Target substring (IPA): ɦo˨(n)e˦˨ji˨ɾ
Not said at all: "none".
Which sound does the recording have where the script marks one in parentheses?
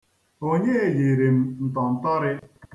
ɲ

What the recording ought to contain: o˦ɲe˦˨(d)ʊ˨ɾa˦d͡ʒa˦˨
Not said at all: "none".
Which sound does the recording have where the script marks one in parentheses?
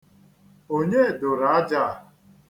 d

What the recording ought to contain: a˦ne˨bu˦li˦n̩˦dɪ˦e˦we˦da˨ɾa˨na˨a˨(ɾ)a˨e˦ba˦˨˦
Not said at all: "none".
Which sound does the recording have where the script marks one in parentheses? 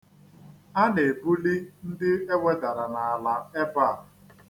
l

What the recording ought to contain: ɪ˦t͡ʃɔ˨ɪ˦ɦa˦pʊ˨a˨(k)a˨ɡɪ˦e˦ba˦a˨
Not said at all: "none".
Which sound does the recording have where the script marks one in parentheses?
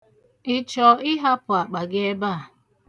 k͡p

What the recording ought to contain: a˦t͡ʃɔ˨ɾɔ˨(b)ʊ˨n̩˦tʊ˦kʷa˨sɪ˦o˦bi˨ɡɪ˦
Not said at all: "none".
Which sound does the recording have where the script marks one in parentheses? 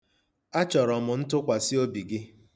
m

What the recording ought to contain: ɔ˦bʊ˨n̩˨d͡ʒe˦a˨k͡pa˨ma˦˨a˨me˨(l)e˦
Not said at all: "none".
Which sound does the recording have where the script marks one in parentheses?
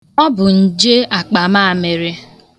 ɾ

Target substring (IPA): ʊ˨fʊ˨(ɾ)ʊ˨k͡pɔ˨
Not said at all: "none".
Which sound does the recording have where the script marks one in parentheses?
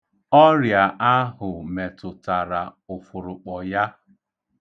ɾ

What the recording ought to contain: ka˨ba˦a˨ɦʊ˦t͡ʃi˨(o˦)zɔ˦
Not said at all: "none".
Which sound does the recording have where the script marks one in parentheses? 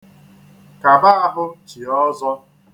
ɔ˦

